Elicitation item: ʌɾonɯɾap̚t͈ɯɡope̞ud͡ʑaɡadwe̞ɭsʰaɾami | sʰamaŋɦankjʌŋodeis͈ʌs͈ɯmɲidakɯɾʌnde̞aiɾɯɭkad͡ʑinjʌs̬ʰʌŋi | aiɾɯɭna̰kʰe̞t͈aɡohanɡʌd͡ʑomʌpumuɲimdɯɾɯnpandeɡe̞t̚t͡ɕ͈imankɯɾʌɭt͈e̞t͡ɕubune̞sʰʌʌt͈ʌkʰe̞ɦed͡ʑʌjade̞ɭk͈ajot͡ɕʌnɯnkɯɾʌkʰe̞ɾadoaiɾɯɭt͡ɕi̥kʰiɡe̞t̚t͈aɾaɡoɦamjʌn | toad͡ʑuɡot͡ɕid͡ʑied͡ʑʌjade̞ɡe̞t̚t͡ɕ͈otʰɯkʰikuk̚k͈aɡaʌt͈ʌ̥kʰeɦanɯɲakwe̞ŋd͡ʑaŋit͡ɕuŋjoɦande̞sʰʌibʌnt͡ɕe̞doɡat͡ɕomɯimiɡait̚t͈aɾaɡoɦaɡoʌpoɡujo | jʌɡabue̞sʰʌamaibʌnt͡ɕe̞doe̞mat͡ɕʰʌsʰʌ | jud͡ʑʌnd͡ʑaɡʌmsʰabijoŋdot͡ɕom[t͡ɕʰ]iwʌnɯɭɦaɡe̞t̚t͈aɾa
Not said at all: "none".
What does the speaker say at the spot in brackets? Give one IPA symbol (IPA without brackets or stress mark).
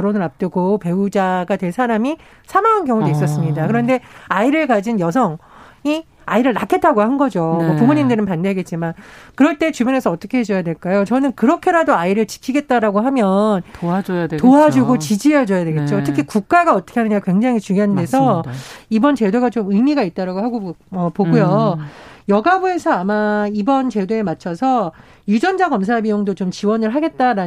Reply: t͡ɕ